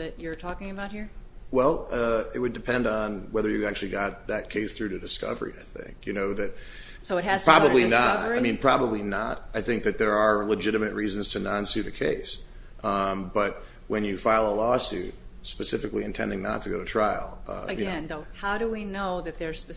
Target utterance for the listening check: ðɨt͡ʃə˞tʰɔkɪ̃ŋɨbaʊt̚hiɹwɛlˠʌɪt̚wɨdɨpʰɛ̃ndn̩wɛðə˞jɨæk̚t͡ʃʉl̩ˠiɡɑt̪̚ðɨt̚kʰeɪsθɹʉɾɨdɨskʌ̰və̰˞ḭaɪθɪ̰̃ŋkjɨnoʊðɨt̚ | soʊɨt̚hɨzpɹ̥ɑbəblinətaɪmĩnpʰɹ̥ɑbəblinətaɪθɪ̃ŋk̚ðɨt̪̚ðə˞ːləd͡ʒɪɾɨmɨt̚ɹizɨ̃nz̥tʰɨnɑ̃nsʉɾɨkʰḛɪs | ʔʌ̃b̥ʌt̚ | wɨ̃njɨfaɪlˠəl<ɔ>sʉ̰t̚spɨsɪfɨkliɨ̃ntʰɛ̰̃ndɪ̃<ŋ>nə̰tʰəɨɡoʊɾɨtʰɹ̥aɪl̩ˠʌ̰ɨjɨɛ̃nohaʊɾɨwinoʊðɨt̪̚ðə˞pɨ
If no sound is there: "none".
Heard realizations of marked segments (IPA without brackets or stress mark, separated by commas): ɔ, ŋ